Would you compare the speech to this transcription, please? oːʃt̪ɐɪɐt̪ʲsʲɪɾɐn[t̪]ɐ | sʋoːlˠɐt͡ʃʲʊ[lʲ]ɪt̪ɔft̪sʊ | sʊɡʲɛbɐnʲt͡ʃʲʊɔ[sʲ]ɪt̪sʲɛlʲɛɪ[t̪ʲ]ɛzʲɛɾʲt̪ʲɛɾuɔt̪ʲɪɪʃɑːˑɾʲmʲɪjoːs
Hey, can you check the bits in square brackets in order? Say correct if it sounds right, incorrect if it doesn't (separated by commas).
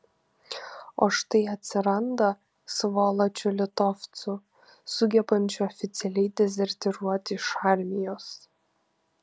incorrect, correct, incorrect, incorrect